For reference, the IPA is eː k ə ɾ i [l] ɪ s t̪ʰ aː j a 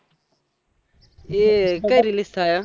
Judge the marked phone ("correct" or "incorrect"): correct